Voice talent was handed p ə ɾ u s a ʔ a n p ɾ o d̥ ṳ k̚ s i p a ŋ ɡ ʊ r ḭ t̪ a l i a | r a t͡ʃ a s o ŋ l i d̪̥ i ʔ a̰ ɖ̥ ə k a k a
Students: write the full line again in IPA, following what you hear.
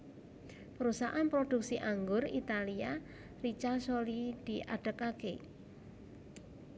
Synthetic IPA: p ə ɾ u s a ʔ a n p ɾ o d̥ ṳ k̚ s i ʔ a ŋ ɡ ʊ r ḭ t̪ a l i a | r i t͡ʃ a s o l i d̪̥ i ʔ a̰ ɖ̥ ə k a k e